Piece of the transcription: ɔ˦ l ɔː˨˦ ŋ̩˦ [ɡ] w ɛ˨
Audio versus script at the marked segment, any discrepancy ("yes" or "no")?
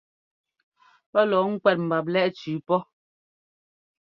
yes